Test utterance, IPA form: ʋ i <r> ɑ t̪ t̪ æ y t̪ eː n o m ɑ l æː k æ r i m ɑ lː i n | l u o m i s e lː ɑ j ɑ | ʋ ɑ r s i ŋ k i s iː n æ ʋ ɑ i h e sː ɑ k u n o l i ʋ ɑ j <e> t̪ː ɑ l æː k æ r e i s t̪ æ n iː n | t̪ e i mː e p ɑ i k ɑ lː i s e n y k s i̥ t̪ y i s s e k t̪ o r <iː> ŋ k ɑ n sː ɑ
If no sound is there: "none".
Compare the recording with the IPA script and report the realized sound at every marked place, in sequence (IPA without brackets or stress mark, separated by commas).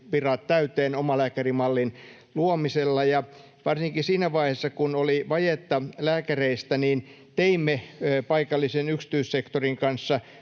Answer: r, e, i